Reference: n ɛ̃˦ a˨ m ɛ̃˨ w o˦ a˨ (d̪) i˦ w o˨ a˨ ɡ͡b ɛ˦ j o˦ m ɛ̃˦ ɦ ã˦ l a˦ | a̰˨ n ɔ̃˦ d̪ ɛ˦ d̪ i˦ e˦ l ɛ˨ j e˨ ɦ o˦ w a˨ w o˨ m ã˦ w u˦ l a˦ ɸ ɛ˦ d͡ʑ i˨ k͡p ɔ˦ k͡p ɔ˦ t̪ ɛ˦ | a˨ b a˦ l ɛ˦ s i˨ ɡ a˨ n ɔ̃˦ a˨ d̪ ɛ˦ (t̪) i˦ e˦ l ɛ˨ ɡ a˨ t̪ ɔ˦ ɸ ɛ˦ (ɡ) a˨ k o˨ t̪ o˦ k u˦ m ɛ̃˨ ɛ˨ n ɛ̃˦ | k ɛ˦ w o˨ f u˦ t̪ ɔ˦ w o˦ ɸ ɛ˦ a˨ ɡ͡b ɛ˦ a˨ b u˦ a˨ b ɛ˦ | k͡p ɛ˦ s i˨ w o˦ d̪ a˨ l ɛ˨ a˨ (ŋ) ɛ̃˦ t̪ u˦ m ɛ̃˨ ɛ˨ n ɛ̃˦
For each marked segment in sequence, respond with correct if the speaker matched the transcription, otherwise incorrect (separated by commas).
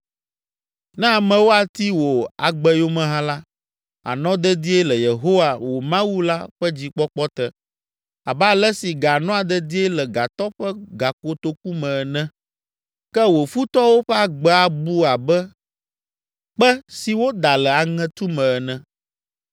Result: incorrect, incorrect, correct, correct